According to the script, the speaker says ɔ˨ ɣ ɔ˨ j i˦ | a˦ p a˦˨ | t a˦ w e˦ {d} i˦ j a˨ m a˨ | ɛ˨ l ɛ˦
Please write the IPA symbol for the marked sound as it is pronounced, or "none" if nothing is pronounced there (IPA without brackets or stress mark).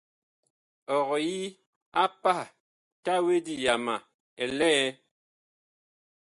d